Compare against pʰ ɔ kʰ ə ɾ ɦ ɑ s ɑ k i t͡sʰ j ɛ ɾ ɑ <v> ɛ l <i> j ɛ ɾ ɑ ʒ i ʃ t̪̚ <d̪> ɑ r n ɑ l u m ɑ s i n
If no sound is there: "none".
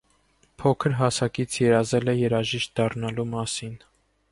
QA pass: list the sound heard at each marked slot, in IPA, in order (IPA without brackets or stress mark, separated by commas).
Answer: z, ɛ, d̪